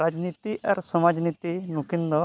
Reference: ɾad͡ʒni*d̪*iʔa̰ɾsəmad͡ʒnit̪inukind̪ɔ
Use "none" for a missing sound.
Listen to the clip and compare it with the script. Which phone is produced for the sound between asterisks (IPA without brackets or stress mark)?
t̪